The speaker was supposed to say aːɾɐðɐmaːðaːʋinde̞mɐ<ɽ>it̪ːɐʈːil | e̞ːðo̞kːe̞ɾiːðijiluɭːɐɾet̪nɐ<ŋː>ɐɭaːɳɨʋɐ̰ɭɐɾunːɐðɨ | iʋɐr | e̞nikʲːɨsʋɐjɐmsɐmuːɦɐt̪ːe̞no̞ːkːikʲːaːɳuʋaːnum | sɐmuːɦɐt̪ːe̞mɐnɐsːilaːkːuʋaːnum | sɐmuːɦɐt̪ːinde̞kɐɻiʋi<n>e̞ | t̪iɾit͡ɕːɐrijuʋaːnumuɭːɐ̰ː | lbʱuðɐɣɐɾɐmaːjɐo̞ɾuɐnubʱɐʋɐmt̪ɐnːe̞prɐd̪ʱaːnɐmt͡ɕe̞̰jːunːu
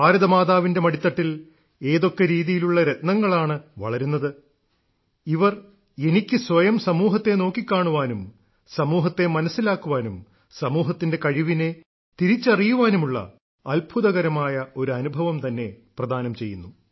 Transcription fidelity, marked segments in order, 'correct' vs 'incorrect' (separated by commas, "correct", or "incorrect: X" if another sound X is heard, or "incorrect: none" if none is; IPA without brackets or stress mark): correct, correct, correct